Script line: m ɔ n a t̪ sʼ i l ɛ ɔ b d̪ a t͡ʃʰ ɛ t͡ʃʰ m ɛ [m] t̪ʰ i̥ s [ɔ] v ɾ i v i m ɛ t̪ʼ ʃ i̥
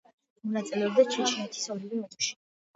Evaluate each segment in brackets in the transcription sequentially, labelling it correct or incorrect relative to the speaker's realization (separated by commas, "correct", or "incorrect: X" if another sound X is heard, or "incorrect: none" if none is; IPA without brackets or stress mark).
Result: incorrect: none, correct